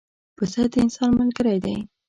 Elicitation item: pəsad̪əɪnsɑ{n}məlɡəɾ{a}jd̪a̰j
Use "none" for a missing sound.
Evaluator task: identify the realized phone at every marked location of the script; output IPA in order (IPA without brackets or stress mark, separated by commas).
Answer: n, a